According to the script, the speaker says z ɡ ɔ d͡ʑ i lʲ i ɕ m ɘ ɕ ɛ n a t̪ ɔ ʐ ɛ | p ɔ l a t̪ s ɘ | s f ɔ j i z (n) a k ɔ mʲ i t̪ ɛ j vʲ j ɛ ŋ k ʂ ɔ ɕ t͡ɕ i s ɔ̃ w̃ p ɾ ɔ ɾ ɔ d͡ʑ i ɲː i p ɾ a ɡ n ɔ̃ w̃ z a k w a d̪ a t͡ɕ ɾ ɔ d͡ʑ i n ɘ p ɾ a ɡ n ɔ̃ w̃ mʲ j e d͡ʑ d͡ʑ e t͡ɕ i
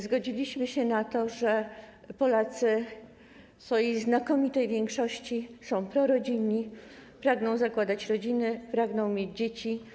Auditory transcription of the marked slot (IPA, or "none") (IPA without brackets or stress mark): n